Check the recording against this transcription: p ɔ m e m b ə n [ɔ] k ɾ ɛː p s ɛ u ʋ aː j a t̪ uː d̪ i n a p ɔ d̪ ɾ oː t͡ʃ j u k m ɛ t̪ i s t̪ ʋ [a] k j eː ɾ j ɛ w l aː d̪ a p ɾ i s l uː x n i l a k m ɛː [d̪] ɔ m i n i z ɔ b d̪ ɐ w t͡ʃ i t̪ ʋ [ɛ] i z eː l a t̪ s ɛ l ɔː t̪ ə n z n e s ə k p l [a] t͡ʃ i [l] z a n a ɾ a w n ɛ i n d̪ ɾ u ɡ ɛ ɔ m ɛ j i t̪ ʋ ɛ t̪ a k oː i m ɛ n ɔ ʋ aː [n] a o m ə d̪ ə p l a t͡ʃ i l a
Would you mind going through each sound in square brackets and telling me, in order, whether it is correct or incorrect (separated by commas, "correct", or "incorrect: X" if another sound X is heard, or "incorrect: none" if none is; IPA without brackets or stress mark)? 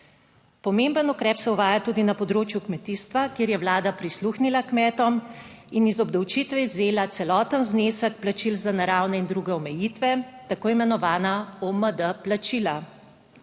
incorrect: u, correct, incorrect: t̪, correct, correct, correct, correct